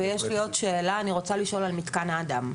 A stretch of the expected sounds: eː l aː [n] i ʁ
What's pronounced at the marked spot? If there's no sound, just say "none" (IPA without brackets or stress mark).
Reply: n